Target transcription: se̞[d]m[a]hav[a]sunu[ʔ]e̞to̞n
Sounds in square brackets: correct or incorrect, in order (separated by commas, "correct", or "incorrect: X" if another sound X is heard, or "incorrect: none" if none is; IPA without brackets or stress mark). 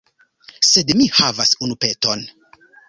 correct, incorrect: i, correct, incorrect: p